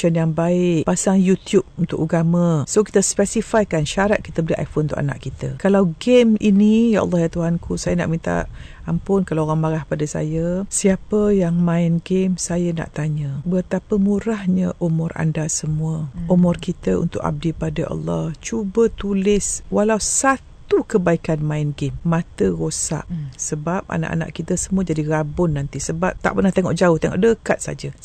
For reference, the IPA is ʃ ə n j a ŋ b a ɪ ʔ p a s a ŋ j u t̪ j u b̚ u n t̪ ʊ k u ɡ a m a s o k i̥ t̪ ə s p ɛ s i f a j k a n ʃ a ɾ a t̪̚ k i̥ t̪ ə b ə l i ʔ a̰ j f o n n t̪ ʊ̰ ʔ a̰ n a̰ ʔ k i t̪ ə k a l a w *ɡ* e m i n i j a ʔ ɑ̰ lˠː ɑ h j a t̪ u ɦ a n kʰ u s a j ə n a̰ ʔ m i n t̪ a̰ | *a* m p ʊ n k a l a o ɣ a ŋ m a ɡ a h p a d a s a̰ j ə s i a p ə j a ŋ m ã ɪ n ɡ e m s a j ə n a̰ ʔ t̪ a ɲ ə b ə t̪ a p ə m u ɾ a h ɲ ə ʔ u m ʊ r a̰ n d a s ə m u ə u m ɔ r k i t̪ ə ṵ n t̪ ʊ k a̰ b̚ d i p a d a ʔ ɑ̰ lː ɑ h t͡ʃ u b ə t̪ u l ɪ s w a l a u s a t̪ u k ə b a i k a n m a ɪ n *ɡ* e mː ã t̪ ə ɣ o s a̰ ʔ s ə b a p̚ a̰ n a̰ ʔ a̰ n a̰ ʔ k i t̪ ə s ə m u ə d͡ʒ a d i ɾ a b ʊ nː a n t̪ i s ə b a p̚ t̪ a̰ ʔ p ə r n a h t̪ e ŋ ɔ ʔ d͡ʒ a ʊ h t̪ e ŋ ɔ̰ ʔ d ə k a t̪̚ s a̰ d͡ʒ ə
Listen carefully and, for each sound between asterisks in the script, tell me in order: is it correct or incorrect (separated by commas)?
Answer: correct, correct, correct